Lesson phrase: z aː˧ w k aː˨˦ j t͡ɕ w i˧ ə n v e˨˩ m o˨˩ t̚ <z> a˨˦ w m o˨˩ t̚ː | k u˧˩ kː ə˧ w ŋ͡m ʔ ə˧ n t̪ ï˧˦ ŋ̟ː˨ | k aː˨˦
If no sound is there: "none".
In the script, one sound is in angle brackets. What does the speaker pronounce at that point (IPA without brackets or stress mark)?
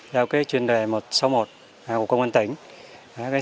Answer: s